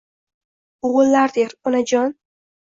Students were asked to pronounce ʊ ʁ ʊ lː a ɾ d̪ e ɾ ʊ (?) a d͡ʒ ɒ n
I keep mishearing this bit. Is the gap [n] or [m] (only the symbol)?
n